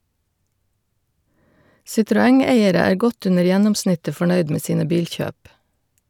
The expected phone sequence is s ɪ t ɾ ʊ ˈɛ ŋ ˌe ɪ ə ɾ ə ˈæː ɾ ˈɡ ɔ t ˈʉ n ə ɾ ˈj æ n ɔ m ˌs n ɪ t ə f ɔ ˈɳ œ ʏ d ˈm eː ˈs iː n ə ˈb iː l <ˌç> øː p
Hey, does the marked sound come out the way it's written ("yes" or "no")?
yes